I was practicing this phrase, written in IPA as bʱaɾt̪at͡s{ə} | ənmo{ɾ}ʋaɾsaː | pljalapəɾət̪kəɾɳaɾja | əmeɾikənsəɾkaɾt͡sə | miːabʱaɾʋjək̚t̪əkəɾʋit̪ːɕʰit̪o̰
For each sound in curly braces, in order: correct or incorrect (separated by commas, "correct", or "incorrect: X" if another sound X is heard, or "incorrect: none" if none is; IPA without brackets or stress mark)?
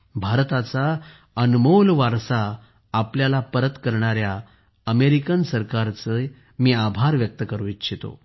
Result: incorrect: a, incorrect: l